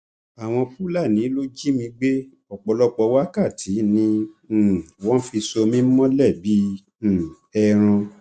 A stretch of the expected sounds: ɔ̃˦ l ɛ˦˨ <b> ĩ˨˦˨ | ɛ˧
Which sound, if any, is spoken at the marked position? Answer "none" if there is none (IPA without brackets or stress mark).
b